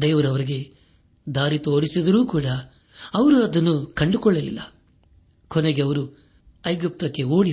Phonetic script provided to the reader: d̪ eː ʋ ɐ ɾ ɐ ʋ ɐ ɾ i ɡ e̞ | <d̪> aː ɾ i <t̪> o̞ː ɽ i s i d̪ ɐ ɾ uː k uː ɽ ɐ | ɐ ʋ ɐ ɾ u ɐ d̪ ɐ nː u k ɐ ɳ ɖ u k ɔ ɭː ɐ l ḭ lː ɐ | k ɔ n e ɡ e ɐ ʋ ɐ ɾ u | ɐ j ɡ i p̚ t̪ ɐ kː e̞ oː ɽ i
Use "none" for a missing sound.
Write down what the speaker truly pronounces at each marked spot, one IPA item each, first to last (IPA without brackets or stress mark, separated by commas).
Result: d̪, t̪